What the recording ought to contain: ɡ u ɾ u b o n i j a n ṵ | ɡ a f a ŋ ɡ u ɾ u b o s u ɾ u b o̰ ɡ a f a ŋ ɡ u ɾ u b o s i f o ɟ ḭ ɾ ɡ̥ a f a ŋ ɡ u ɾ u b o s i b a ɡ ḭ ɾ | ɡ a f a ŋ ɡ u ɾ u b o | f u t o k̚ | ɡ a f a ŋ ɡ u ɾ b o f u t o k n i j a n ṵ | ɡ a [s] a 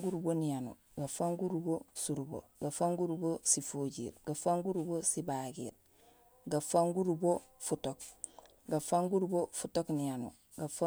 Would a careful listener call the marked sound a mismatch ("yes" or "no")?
yes